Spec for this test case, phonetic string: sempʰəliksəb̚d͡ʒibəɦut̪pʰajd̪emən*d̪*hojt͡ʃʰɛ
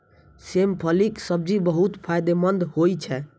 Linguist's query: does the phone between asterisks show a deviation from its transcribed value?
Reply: no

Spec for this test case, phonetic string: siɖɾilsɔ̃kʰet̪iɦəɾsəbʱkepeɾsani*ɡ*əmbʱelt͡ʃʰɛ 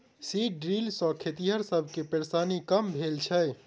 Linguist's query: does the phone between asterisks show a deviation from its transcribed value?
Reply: yes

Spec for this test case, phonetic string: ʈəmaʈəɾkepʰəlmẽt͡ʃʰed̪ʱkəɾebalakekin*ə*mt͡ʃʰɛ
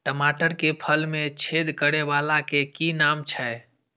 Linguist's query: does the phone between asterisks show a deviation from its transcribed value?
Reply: yes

